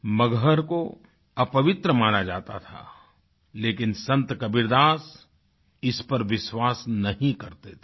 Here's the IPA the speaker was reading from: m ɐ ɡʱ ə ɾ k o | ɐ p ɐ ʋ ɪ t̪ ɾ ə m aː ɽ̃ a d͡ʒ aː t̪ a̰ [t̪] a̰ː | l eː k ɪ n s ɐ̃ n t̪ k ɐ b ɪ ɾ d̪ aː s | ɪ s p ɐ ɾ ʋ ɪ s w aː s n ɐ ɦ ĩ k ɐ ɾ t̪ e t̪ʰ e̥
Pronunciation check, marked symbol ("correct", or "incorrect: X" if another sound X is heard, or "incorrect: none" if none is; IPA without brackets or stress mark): incorrect: t̪ʰ